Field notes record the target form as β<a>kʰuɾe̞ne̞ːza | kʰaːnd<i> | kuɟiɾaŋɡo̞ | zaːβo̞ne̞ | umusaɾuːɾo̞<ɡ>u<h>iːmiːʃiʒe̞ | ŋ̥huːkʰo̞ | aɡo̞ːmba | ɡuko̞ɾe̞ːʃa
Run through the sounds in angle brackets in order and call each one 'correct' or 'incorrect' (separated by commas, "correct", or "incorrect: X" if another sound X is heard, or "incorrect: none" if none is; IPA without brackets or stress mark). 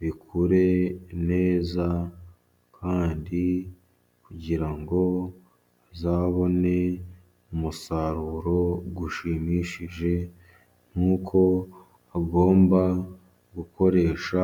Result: incorrect: i, correct, correct, incorrect: ʃ